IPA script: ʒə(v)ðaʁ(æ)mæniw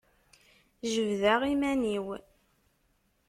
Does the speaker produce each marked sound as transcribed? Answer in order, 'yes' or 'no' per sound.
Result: yes, no

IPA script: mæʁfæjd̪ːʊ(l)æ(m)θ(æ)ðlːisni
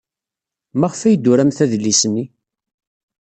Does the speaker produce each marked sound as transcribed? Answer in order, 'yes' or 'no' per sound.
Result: no, yes, yes

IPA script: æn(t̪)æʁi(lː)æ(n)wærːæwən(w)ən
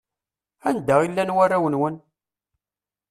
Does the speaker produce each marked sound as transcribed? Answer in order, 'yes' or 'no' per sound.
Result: no, yes, yes, yes

